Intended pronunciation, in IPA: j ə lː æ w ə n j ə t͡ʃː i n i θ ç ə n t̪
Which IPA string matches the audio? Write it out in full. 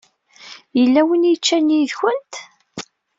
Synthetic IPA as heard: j ə lː æ w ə n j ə t͡ʃː æ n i ð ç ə n t̪